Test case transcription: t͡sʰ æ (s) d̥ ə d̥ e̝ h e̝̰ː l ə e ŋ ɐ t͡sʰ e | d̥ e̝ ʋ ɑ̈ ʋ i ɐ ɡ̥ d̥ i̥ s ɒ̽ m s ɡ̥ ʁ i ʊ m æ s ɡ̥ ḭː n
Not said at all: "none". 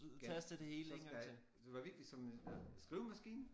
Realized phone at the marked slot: s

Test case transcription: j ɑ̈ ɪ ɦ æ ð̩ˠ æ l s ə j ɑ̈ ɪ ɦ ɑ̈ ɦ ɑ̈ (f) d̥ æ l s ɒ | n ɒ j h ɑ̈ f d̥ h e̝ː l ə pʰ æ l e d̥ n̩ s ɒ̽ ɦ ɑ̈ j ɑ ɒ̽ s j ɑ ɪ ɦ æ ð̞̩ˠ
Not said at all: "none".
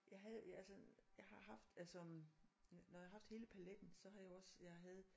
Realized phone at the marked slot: f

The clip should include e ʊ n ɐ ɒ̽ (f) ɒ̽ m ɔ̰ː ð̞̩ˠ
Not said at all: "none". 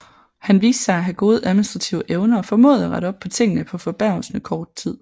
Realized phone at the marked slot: f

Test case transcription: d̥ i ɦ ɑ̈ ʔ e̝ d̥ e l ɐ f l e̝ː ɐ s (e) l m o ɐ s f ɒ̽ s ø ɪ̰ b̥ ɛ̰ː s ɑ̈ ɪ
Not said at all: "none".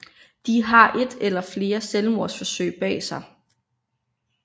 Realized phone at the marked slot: e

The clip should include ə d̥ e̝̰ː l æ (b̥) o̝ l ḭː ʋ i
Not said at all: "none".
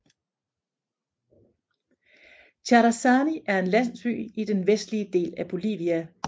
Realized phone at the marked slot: b̥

